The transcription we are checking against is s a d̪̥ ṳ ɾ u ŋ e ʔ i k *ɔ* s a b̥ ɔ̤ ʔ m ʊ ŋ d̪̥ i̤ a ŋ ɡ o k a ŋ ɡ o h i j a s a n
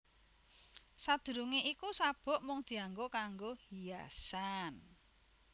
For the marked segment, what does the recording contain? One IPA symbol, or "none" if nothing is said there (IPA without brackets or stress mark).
u